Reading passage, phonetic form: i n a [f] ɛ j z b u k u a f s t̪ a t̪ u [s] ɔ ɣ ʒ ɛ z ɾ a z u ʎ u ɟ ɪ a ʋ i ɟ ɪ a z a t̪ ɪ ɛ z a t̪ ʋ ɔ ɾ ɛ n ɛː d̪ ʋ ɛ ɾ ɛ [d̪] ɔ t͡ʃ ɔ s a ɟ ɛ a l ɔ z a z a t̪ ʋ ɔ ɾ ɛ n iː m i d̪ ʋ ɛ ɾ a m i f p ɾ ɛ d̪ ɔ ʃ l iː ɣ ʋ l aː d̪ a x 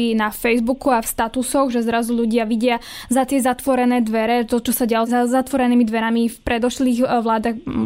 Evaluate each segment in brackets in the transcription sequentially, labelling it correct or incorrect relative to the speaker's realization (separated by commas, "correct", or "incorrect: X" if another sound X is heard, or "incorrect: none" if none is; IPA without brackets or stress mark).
correct, correct, incorrect: t̪